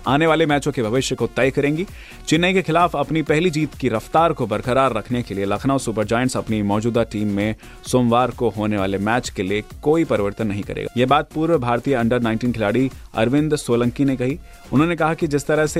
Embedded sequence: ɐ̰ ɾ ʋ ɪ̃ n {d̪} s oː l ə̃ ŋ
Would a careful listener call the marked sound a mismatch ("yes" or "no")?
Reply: no